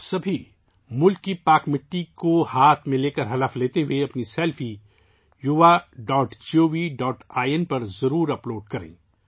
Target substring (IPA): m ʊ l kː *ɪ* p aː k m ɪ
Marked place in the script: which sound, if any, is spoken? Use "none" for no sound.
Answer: i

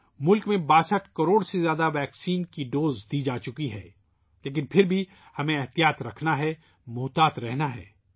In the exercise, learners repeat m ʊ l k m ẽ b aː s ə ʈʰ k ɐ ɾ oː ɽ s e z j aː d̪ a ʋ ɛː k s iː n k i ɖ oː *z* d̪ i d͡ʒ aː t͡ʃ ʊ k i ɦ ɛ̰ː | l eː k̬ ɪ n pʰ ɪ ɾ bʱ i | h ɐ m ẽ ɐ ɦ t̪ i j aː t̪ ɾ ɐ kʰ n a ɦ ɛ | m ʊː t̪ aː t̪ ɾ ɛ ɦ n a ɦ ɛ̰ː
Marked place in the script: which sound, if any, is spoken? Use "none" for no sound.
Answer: z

